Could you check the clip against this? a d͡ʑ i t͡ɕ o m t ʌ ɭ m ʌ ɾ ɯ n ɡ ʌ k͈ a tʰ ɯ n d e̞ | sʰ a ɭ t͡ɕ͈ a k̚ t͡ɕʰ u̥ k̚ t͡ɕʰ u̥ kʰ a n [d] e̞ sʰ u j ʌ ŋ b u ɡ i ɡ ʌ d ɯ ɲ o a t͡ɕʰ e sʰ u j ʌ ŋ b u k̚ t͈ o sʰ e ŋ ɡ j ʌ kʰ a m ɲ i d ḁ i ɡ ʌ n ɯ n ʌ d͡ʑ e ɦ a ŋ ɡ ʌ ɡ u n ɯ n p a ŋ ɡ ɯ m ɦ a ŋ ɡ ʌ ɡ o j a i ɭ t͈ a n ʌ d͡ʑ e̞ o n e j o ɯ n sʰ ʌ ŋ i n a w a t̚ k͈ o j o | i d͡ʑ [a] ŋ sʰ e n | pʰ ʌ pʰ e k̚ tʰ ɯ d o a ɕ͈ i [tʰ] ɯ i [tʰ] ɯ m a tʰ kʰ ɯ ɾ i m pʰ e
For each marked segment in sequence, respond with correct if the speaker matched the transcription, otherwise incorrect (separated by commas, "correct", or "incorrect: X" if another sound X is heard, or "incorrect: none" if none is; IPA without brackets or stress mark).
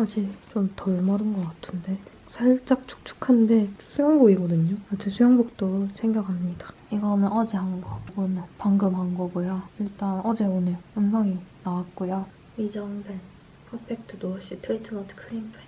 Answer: correct, incorrect: ʌ, correct, correct